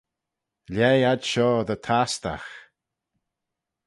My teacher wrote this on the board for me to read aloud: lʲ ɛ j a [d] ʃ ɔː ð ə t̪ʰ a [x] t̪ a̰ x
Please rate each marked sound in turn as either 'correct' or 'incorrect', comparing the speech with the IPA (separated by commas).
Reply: correct, incorrect